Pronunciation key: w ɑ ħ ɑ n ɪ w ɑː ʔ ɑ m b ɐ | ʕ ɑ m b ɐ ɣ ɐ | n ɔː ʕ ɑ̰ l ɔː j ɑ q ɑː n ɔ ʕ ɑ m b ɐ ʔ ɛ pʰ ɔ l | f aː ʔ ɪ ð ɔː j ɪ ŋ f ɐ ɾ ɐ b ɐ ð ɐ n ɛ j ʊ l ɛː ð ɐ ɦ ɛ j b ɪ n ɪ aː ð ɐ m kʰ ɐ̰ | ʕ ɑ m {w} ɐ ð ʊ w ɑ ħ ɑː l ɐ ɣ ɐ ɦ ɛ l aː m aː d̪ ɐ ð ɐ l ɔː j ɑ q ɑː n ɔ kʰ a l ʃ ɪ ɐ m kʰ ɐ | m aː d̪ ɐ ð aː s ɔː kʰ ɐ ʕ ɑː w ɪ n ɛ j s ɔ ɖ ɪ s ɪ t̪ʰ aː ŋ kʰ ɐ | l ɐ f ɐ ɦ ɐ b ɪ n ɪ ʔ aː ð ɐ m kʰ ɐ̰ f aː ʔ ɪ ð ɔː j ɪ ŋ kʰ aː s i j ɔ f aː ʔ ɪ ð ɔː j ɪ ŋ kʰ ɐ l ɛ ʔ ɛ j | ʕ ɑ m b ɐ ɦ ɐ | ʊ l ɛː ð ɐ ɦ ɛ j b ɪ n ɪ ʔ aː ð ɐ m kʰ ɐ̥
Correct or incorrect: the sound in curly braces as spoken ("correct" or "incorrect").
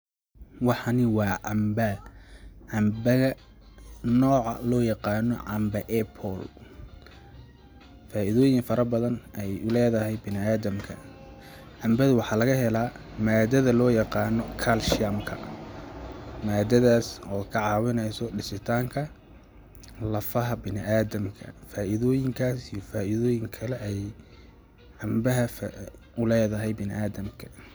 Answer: incorrect